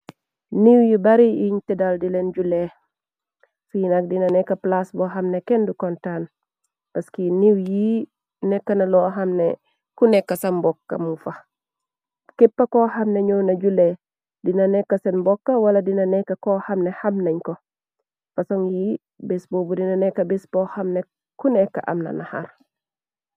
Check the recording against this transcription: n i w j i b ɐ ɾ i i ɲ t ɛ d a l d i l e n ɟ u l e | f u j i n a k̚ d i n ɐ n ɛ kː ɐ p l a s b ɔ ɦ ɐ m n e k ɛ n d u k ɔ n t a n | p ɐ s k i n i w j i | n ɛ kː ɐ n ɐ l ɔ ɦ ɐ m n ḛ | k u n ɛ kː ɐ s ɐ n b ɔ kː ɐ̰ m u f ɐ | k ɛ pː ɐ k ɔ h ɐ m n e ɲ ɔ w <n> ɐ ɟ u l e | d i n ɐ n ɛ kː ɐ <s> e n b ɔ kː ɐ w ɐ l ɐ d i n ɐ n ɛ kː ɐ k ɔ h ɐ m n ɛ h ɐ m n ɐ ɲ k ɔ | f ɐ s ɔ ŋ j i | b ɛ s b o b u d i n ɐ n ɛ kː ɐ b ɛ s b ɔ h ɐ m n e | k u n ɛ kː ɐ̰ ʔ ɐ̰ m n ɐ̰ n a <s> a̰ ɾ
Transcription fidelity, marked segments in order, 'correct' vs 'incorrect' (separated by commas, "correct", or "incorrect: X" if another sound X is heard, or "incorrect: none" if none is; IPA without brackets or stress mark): correct, correct, incorrect: h